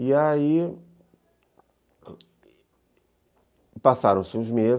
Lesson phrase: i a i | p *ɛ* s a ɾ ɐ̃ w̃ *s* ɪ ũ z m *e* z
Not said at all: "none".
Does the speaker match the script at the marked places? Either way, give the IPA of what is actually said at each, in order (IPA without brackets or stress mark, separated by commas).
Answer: a, s, e